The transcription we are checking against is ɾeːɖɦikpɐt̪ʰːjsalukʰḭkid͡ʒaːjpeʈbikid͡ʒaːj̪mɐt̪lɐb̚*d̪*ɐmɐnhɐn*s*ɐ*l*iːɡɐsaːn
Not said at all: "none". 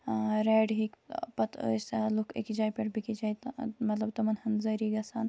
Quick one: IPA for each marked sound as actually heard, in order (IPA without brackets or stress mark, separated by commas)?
t̪, z, ɾ